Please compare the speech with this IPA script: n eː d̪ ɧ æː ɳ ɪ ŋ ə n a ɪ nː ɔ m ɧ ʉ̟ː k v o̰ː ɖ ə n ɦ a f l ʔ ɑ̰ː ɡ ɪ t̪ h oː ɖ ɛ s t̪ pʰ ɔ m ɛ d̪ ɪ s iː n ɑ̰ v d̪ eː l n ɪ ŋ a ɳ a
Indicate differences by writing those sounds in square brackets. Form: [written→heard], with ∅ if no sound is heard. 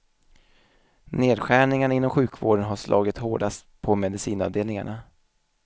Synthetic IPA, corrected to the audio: n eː d̪ ɧ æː ɳ ɪ ŋ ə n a ɪ nː ɔ m ɧ ʉ̟ː k v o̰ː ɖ ə n ɦ a [f→ʂ] l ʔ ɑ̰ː ɡ ɪ t̪ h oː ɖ [ɛ→a] s t̪ pʰ ɔ m ɛ d̪ ɪ s iː n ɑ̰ v d̪ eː l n ɪ ŋ a ɳ a